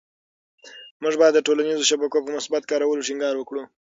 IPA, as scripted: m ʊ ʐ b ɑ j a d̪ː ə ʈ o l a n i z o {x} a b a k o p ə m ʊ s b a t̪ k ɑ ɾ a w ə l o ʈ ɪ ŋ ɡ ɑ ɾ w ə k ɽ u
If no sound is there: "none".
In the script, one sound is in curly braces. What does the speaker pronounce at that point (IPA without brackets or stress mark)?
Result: ʃ